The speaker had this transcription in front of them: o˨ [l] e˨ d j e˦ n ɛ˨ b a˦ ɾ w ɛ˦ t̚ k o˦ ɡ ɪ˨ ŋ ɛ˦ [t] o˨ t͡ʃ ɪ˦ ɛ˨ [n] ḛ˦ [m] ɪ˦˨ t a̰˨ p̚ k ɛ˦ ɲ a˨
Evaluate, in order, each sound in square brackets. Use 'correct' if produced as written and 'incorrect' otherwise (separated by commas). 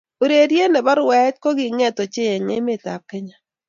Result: incorrect, correct, incorrect, correct